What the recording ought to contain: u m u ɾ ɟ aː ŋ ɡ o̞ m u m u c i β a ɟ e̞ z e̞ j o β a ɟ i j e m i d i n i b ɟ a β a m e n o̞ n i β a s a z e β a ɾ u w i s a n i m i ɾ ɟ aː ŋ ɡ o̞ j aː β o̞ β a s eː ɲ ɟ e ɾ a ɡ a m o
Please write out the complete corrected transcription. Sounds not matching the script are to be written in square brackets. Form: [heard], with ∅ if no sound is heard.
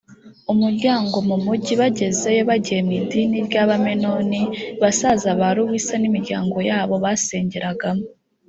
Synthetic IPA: u m u ɾ ɟ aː ŋ ɡ o̞ m u m u [ɟ] i β a ɟ e̞ z e̞ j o β a ɟ i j e m i d i n i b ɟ a β a m e n o̞ n i β a s a z [a] β a ɾ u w i s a n i m i ɾ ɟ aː ŋ ɡ o̞ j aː β o̞ β a s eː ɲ ɟ e ɾ a ɡ a m o